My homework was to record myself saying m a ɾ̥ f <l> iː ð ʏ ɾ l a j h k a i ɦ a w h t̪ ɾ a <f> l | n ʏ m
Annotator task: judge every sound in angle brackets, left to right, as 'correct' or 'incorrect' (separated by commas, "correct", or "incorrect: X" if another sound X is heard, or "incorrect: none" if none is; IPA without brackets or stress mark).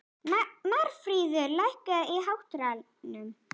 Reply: incorrect: ɾ, incorrect: none